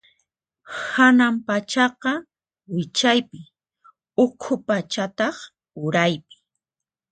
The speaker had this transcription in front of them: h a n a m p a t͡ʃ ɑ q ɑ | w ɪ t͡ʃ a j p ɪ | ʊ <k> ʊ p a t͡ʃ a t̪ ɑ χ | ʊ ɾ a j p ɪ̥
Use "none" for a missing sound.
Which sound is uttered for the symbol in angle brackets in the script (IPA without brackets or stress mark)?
kʰ